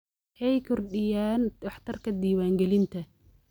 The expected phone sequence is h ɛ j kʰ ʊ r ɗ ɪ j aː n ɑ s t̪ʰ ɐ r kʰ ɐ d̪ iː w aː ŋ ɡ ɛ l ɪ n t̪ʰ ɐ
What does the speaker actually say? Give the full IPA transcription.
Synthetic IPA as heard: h ɛ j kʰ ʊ r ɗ ɪ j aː n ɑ ħ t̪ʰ ɐ r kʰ ɐ d̪ iː w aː ŋ ɡ ɛ l ɪ n t̪ʰ ɐ